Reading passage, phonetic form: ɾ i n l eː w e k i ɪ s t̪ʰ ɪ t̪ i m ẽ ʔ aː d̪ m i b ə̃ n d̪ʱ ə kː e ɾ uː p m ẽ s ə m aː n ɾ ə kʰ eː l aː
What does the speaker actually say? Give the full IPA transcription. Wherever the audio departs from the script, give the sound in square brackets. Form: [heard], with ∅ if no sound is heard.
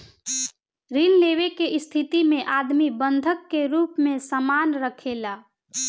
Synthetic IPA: ɾ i n l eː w e k [e] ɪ s t̪ʰ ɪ t̪ i m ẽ ʔ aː d̪ m i b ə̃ n d̪ʱ ə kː e ɾ uː p m ẽ s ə m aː n ɾ ə kʰ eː l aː